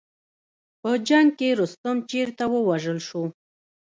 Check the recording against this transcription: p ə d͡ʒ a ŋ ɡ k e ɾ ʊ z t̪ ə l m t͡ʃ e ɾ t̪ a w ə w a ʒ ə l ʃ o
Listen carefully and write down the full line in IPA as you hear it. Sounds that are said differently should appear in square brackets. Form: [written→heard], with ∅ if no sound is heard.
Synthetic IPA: p ə d͡ʒ a ŋ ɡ k e ɾ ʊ [z→s] t̪ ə [l→∅] m t͡ʃ e ɾ t̪ a w ə w a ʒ ə l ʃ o